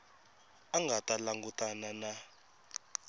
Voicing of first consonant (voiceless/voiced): voiced